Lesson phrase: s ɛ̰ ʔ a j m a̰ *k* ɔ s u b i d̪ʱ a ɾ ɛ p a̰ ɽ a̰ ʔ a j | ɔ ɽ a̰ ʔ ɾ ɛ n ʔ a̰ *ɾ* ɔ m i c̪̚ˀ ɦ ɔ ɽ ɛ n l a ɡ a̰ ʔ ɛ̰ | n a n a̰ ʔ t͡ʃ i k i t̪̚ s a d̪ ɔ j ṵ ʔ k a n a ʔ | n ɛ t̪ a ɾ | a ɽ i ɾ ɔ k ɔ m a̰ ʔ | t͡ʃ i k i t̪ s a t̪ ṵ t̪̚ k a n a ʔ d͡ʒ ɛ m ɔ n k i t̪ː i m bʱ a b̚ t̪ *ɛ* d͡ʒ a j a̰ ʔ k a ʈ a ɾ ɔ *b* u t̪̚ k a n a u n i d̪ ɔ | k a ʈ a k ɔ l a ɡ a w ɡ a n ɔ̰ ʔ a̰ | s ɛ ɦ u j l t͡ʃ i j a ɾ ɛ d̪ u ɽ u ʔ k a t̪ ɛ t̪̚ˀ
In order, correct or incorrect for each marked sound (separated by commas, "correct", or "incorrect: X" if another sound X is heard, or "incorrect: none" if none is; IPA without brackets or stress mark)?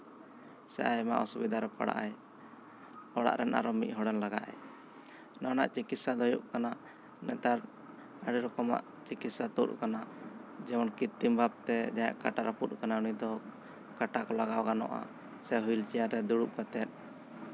incorrect: ʔ, correct, correct, incorrect: p